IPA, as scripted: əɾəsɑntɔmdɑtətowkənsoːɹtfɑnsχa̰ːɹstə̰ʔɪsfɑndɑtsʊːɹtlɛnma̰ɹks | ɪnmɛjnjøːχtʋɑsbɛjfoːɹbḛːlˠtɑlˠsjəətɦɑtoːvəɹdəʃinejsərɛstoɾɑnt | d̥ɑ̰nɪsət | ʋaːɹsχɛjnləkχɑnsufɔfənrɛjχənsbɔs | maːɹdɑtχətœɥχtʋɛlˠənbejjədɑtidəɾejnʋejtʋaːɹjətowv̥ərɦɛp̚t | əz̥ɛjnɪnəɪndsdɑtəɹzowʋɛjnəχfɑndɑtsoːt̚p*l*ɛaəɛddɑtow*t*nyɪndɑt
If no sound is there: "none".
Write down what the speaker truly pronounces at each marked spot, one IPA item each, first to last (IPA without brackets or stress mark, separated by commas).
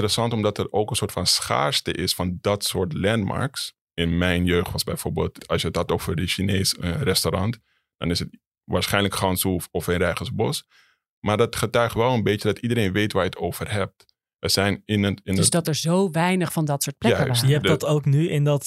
l, k